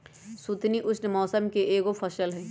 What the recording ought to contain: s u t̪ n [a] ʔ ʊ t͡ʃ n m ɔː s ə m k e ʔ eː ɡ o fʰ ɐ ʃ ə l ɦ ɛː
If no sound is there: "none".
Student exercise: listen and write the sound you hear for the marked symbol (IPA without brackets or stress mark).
i